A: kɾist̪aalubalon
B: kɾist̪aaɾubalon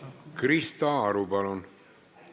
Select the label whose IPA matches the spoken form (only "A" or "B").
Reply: B